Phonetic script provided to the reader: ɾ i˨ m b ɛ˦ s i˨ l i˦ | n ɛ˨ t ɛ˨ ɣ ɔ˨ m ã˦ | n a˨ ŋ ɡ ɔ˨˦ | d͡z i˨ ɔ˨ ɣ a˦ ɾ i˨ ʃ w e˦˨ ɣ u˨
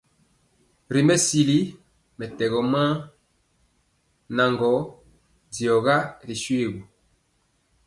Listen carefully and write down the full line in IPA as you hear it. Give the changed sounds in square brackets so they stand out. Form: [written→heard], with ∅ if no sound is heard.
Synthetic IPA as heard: ɾ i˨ m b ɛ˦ s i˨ l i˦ | [n→m] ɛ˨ t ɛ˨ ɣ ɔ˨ m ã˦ | n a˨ ŋ ɡ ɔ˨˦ | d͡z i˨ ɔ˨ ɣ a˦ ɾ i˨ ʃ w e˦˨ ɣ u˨

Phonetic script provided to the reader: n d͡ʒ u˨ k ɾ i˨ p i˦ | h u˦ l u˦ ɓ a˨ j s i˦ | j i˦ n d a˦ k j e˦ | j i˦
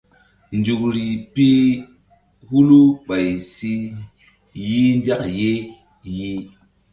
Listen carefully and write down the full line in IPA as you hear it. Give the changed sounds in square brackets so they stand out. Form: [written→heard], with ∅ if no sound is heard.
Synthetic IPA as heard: n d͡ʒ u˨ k ɾ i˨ p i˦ | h u˦ l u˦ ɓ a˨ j s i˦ | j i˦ n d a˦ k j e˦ | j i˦

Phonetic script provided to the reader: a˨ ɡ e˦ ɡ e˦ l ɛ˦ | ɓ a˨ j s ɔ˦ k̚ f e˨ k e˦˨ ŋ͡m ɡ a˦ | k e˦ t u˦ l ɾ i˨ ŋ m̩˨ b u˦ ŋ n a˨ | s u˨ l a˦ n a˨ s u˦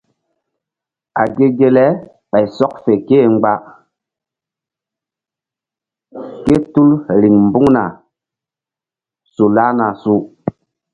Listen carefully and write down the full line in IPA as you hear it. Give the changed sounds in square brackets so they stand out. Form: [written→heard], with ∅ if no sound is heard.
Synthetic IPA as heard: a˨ ɡ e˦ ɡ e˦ l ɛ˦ | ɓ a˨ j s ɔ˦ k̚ f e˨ k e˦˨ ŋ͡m [ɡ→ɡ͡b] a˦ | k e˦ t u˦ l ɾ i˨ ŋ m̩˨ b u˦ ŋ n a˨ | s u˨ l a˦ n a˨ s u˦

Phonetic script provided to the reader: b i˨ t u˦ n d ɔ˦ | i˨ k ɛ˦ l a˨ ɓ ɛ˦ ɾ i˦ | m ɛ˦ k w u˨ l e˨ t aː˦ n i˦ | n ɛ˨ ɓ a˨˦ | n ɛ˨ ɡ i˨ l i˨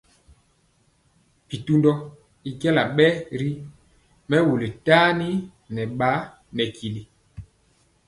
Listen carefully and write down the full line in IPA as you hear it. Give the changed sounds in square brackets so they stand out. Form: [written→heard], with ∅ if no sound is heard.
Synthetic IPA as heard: [b→p] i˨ t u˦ n d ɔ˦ | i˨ k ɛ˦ l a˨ ɓ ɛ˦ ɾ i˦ | m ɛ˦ [k→∅] w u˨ l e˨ t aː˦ n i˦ | n ɛ˨ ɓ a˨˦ | n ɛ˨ [ɡ→k] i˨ l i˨

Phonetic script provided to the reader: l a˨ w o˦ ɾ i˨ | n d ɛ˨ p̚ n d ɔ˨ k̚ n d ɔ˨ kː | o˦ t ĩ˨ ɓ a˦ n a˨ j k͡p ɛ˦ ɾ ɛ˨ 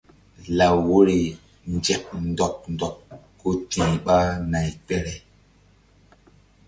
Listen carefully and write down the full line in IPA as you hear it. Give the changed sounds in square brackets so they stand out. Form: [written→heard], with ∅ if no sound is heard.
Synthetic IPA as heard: l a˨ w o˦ ɾ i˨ | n [d→d͡ʒ] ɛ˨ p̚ n d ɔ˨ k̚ n d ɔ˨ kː | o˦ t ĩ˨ ɓ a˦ n a˨ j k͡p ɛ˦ ɾ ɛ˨

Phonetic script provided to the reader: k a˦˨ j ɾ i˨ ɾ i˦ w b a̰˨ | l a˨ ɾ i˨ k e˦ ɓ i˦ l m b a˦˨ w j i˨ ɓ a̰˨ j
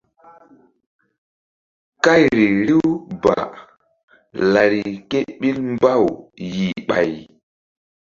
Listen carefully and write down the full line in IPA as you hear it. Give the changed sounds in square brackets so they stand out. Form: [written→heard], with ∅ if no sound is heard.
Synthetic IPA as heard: k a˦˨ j ɾ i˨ ɾ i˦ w b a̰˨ | l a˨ ɾ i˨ k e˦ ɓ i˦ l m b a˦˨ w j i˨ ɓ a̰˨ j

